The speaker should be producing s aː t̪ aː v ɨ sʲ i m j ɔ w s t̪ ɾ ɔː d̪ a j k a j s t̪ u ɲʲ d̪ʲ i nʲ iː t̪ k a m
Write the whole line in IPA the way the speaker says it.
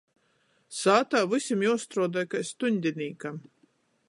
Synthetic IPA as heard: s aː t̪ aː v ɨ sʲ i m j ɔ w s t̪ ɾ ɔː d̪ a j k a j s t̪ u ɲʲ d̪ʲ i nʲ iː k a m